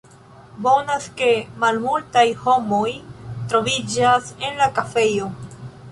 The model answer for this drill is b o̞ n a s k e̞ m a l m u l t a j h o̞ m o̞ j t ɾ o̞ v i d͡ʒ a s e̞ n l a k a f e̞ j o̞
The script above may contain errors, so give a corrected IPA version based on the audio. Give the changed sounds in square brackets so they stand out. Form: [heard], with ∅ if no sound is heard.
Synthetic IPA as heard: b o̞ n a s k e̞ m a l m u l t a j h o̞ m o̞ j t ɾ o̞ v i d͡ʒ a s e̞ n l a k a f e̞ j o̞